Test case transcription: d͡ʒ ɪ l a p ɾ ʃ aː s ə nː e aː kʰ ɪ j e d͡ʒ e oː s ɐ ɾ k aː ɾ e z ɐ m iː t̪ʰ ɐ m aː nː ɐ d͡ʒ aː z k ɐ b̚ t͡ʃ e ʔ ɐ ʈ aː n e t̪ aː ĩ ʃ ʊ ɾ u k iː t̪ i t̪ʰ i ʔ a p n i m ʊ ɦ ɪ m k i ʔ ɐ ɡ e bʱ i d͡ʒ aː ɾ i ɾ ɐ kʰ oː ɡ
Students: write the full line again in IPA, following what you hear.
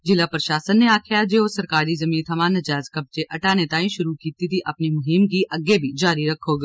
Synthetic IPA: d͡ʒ ɪ l a p ɾ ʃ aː s ə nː e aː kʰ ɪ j a d͡ʒ e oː s ɐ ɾ k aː ɾ i z ɐ m iː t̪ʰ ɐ m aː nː ɐ d͡ʒ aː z k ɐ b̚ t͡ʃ e ʔ ɐ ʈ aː n e t̪ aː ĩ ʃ ʊ ɾ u k iː t̪ i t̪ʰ i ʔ ɐ p n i m ʊ ɦ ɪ m k i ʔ ɐ ɡ e bʱ i d͡ʒ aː ɾ i ɾ ɐ kʰ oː ɡ